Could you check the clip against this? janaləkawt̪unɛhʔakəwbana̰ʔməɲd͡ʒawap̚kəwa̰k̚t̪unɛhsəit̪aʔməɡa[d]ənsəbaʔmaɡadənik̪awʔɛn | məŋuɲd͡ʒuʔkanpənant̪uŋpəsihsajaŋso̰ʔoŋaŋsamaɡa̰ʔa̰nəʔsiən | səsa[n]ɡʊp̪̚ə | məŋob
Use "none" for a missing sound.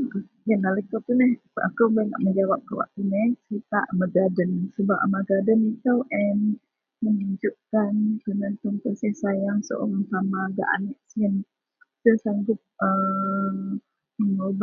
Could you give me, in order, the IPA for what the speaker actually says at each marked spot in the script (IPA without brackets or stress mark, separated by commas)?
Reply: d, ŋ